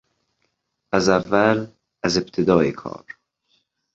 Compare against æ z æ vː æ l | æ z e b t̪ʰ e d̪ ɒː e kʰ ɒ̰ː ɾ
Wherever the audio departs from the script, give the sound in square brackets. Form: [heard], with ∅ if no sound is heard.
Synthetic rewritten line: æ z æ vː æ l | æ z e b t̪ʰ e d̪ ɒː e kʰ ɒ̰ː ɾ